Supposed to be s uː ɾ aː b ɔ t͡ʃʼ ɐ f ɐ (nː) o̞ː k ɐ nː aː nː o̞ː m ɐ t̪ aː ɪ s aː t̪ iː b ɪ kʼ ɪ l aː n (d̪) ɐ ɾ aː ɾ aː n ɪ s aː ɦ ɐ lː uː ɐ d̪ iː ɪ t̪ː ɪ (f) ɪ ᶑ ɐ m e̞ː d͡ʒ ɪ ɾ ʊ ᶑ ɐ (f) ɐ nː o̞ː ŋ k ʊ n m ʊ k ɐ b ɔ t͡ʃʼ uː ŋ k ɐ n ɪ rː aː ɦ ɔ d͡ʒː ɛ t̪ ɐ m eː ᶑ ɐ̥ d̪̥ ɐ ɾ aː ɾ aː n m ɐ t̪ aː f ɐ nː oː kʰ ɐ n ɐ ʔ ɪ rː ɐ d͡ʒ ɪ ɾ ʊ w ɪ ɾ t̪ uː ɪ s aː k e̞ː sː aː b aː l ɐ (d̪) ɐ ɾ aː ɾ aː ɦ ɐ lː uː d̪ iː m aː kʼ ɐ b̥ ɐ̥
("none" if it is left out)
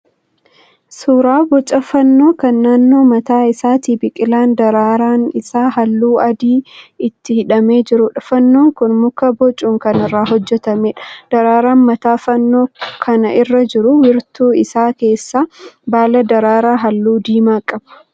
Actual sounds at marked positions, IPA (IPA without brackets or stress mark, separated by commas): nː, d̪, h, f, d̪